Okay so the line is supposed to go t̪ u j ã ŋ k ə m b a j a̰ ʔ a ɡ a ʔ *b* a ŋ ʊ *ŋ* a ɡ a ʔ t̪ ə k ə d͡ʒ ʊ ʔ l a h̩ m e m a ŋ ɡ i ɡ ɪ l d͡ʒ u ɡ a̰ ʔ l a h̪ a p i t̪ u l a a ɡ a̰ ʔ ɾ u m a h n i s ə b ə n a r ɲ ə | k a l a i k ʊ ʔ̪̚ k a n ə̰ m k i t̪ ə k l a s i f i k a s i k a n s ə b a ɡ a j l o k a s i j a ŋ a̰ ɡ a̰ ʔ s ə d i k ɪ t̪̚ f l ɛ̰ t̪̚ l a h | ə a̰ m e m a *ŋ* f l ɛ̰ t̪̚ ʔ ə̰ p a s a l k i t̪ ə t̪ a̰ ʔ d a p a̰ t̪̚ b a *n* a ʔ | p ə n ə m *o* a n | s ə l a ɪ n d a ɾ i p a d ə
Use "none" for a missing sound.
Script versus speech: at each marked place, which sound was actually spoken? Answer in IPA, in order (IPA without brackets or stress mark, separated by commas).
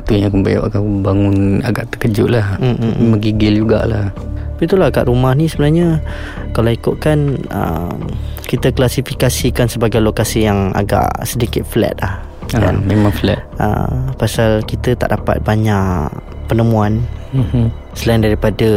b, n, ŋ, ɲ, u